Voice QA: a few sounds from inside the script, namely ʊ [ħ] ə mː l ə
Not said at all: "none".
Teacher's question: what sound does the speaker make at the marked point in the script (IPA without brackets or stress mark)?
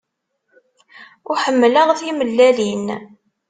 ħ